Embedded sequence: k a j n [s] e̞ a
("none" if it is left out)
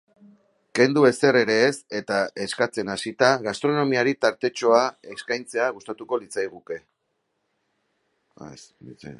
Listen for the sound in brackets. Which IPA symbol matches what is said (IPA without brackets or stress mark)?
t͡s